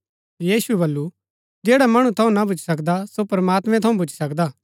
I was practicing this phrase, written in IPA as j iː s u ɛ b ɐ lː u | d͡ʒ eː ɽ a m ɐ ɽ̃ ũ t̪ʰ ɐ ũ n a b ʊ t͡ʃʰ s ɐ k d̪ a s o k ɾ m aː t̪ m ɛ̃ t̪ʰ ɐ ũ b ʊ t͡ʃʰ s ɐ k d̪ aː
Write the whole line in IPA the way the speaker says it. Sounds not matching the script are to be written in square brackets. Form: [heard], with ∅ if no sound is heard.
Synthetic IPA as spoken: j iː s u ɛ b ɐ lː u | d͡ʒ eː ɽ a m ɐ ɽ̃ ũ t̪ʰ ɐ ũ n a b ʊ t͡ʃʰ s ɐ k d̪ a s o [p] ɾ m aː t̪ m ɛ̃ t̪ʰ ɐ ũ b ʊ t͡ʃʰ s ɐ k d̪ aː